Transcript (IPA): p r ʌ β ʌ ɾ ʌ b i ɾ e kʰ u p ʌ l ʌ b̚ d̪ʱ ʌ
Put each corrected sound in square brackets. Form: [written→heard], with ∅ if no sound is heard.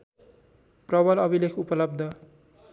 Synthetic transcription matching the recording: p r ʌ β ʌ [ɾ→l] ʌ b i [ɾ→l] e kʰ u p ʌ l ʌ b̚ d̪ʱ ʌ

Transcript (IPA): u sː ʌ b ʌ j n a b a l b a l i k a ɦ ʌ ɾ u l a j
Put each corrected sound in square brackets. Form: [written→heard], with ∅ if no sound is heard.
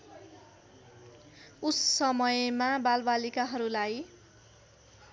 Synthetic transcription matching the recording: u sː ʌ [b→m] ʌ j [n→m] a b a l b a l i k a ɦ ʌ ɾ u l a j

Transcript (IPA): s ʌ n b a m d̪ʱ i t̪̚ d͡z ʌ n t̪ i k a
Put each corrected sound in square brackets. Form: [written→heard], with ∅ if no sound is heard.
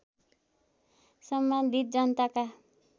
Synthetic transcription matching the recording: s ʌ [n→m] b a [m→n] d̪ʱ i t̪̚ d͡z ʌ n t̪ [i→a] k a

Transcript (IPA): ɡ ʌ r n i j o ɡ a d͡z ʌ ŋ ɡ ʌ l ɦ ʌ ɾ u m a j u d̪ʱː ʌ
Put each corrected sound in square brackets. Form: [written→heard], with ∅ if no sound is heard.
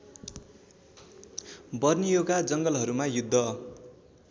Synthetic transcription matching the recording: [ɡ→b] ʌ r n i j o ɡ a d͡z ʌ ŋ ɡ ʌ l ɦ ʌ ɾ u m a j u d̪ʱː ʌ

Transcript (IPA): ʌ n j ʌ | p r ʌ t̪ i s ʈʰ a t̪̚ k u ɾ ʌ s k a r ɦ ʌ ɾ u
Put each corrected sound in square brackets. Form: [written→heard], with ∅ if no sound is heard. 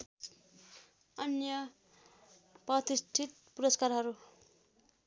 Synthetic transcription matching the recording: ʌ n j ʌ | p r ʌ t̪ i s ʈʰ [a→i] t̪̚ [k→p] u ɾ ʌ s k a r ɦ ʌ ɾ u

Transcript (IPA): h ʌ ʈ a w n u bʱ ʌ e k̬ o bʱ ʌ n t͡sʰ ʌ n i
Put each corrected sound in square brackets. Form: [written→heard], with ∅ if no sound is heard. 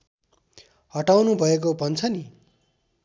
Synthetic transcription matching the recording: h ʌ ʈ a w n u bʱ ʌ e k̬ o bʱ ʌ n t͡sʰ ʌ n i

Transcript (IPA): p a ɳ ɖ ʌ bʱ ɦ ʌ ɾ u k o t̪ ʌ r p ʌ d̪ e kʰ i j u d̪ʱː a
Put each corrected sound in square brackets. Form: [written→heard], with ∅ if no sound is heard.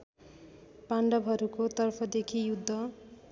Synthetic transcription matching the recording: p a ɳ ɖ ʌ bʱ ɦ ʌ ɾ u k o t̪ ʌ r [p→pʰ] ʌ d̪ e kʰ i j u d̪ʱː [a→ʌ]

